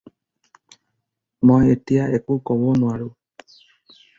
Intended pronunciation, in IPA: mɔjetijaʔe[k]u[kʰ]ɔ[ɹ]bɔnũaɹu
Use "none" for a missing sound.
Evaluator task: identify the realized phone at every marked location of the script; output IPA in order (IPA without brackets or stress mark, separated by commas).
k, k, none